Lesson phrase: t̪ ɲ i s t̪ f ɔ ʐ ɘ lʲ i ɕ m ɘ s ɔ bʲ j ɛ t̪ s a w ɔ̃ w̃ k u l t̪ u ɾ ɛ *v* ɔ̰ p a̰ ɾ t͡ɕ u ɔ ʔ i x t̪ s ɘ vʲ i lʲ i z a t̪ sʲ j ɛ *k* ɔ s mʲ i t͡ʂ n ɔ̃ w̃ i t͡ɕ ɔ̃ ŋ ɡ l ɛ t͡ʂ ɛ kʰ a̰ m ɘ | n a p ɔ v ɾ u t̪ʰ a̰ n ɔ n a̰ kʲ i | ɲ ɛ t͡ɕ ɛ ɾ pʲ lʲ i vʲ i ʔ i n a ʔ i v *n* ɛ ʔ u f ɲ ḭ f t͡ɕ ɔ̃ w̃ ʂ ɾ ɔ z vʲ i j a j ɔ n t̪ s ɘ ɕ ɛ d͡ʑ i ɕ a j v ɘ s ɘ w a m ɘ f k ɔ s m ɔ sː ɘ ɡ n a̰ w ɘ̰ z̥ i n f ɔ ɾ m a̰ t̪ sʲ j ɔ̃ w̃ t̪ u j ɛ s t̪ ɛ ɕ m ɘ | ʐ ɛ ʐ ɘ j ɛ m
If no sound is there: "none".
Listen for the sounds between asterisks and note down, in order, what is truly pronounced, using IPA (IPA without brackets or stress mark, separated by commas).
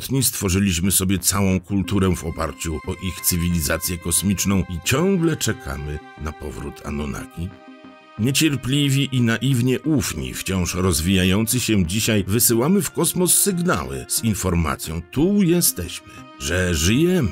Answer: v, k, ɲ